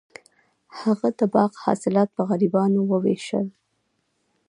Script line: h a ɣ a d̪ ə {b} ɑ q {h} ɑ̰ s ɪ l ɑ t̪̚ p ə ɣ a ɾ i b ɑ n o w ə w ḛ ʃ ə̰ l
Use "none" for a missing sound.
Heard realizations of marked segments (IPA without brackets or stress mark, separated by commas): b, h